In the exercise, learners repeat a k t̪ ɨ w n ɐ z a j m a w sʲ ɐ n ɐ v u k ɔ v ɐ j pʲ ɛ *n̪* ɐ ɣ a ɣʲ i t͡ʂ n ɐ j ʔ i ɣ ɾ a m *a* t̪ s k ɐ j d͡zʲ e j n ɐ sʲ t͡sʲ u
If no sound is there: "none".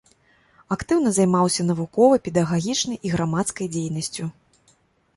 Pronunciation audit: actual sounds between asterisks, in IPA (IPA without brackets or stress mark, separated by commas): d̪, a